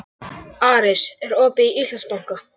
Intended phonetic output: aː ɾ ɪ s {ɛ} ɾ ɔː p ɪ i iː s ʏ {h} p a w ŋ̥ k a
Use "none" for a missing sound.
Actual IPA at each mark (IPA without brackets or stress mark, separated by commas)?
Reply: ɛ, s